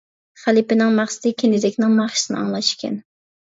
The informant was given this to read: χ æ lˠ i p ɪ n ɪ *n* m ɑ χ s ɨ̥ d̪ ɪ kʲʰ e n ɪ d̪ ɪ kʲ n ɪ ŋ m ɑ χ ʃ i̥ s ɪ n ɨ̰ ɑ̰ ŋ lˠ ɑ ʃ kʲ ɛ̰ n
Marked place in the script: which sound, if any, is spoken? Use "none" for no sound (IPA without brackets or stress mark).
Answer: ŋ